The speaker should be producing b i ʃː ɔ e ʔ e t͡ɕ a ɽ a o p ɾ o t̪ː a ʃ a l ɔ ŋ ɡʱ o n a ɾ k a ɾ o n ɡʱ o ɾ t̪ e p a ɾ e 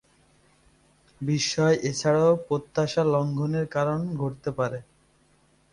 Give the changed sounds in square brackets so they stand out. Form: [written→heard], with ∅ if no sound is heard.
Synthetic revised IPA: b i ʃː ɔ e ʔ e [t͡ɕ→t͡ɕʰ] a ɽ a o p ɾ o t̪ː a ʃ a l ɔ ŋ ɡʱ o n [a→e] ɾ k a ɾ o n ɡʱ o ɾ t̪ e p a ɾ e